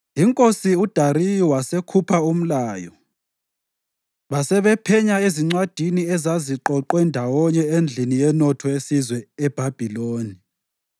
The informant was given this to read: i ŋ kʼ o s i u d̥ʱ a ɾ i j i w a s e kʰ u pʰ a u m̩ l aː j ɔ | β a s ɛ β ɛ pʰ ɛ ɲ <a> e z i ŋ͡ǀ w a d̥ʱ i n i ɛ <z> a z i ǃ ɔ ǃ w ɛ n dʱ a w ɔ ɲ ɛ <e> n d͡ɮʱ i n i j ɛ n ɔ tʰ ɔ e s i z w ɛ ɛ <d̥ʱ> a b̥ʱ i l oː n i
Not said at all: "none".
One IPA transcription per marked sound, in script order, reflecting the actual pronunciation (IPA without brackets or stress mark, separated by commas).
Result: a, z, e, b̥ʱ